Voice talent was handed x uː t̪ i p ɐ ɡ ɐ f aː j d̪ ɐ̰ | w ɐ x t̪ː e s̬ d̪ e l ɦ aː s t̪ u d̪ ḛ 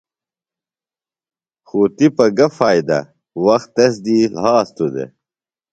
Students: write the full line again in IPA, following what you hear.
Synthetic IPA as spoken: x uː t̪ i p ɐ ɡ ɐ f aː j d̪ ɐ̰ | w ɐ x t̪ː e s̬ d̪ i l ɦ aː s t̪ u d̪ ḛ